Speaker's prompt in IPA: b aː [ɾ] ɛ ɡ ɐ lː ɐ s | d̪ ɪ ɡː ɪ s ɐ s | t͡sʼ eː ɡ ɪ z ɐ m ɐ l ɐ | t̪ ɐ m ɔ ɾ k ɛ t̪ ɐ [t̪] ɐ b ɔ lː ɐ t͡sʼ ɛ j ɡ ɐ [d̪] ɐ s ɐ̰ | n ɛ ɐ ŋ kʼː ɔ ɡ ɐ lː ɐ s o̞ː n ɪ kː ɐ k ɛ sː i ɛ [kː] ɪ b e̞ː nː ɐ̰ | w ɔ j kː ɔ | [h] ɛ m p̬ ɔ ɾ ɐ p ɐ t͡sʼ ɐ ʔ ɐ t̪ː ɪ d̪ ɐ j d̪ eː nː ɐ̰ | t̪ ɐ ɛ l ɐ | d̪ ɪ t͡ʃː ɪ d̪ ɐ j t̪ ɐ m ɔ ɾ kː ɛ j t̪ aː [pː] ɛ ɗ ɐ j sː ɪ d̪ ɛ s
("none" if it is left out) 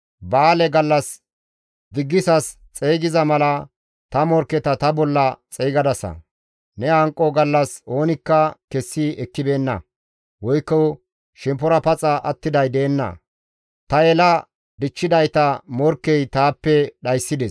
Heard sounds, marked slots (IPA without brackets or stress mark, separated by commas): l, t̪, d̪, kː, ʃ, pː